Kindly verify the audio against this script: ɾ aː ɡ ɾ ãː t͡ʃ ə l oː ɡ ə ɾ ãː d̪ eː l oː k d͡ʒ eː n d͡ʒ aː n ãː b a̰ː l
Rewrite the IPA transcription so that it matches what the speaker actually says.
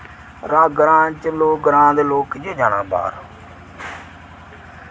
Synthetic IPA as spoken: ɾ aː ɡ ɾ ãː t͡ʃ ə l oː ɡ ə ɾ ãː d̪ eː l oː k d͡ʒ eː d͡ʒ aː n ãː b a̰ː ɾ